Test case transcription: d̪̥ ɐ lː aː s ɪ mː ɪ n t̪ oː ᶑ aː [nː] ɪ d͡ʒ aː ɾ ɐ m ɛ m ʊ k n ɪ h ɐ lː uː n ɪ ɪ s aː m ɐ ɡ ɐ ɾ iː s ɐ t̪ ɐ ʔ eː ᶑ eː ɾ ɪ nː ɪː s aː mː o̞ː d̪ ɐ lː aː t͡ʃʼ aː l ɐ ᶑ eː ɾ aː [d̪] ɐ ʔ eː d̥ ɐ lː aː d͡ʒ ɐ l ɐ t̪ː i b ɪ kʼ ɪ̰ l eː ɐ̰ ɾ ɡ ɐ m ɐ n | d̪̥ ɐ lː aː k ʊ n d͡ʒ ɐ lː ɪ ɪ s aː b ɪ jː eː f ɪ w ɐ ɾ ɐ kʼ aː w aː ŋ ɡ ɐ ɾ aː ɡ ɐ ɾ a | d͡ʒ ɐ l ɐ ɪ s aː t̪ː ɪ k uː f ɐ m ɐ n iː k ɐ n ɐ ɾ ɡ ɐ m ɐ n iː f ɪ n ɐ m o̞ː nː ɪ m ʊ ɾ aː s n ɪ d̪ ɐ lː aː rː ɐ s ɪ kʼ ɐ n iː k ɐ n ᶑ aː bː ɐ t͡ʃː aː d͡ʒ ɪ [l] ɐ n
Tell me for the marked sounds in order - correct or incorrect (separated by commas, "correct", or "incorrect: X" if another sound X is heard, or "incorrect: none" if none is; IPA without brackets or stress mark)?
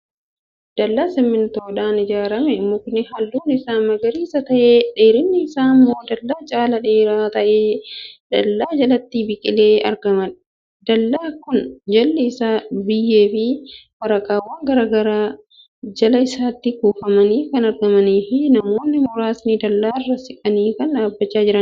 incorrect: n, incorrect: t̪, incorrect: ɾ